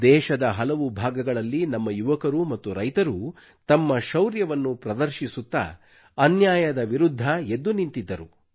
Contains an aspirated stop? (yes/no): no